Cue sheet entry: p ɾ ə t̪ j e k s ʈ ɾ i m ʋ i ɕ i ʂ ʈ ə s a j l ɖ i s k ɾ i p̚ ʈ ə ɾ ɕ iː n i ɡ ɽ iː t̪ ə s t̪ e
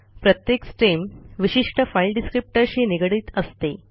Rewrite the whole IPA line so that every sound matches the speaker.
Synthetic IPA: p ɾ ə t̪ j e k s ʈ ɾ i m ʋ i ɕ i ʂ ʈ ə f a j l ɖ i s k ɾ i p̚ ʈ ə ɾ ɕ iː n i ɡ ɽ iː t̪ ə s t̪ e

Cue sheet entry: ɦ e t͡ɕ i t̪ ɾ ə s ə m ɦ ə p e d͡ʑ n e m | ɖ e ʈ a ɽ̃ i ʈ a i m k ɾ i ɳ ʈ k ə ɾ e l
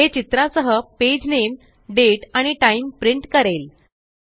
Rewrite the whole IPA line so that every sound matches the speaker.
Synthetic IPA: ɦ e t͡ɕ i t̪ ɾ a s ə ɦ ə p e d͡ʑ n e m | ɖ e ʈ a ɽ̃ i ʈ a i m p ɾ i ɳ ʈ k ə ɾ e l

